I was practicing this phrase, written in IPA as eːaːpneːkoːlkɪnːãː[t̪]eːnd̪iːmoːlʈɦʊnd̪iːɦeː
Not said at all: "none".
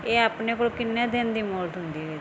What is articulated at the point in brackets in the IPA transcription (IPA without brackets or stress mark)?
d̪